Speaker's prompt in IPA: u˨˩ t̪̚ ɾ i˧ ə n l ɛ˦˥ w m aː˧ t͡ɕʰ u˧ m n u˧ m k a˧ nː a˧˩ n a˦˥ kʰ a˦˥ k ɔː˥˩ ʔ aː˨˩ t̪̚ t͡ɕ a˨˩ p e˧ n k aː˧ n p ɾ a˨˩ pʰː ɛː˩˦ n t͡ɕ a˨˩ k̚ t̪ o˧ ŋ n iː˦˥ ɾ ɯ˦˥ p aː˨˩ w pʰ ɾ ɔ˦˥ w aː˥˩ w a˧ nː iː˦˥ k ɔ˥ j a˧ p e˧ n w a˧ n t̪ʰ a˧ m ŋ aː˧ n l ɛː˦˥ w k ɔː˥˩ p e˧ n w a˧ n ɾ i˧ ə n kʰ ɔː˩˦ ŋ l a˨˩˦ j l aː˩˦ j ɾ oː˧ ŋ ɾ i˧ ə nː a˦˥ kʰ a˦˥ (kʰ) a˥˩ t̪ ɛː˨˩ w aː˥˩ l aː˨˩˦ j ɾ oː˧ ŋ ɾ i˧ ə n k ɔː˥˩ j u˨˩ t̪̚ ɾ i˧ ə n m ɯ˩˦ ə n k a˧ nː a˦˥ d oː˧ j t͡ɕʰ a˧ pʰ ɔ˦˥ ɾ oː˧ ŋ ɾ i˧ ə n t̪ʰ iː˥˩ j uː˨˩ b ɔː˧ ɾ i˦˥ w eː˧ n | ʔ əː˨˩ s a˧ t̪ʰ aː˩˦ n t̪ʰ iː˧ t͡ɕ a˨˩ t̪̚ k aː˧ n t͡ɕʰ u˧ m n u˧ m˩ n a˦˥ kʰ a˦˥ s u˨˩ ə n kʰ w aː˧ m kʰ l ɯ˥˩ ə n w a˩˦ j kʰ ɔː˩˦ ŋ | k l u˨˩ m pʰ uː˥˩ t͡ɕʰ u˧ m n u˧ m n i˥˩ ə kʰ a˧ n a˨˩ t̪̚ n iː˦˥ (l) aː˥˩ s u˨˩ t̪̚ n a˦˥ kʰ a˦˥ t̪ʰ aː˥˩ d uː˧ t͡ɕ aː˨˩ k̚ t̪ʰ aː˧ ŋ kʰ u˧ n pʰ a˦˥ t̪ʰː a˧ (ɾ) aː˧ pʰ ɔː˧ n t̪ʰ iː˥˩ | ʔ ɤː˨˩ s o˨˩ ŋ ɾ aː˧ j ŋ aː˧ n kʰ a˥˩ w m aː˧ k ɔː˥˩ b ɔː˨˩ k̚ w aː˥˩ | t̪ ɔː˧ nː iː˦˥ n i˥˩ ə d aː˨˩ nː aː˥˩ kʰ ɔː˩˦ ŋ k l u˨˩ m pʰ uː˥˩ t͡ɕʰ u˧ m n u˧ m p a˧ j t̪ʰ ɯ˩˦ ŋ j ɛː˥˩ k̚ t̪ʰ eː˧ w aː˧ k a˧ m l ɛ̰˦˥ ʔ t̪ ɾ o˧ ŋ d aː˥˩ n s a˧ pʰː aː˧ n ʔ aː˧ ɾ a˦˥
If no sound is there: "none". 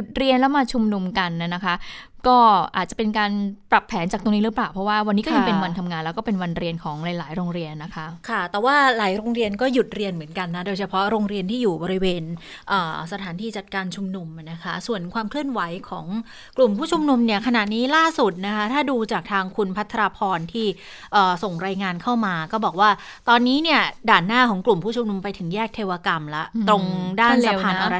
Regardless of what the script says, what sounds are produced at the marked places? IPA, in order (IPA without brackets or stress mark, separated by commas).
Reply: kʰ, l, ɾ